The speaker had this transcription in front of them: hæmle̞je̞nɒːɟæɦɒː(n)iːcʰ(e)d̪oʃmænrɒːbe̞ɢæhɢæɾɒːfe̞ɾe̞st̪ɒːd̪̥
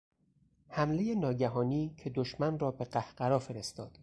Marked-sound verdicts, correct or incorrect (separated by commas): correct, correct